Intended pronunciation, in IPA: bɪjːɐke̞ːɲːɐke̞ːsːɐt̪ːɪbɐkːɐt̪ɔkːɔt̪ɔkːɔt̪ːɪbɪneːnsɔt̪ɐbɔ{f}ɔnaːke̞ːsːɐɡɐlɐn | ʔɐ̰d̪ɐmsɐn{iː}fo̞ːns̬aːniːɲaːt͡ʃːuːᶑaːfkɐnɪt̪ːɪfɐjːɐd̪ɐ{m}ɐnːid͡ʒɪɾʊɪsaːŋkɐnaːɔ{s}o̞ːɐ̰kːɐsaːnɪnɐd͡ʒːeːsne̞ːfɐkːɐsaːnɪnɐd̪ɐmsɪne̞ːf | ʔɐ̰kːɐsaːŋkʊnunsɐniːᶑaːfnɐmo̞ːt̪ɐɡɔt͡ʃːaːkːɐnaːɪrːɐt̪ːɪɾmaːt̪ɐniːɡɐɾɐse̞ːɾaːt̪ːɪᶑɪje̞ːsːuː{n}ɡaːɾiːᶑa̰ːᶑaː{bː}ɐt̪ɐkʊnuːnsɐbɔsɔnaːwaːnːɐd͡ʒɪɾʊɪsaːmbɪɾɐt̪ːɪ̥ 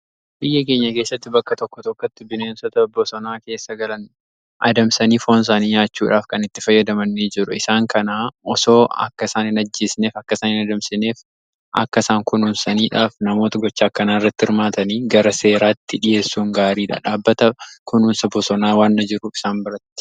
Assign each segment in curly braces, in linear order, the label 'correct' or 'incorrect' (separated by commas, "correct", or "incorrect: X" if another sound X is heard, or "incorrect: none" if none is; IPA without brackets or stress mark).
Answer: incorrect: s, correct, correct, correct, incorrect: ŋ, correct